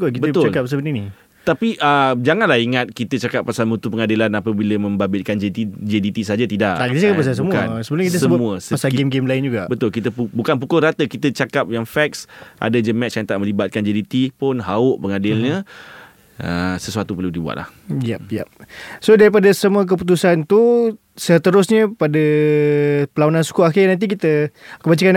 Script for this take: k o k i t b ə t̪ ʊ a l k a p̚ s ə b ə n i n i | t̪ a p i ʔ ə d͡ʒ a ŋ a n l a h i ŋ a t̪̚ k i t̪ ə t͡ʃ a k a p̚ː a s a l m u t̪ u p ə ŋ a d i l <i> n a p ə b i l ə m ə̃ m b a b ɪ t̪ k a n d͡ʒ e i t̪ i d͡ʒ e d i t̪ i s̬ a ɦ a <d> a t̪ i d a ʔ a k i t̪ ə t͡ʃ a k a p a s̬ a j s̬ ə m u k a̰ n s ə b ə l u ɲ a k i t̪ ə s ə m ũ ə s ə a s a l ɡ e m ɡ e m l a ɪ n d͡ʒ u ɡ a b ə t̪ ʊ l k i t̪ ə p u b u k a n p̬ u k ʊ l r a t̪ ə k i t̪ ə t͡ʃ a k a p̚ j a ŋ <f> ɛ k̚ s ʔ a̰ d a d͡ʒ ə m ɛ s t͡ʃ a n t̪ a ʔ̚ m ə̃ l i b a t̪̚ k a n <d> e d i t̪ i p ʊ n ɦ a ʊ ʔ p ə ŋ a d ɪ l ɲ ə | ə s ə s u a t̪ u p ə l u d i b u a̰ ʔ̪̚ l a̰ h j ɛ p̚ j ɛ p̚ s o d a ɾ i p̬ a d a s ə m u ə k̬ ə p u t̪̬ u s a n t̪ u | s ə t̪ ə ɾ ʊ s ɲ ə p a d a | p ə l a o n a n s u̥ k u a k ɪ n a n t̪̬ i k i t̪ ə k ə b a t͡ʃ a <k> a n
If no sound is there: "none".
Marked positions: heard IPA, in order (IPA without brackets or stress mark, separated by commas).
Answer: a, d͡ʒ, f, d͡ʒ, k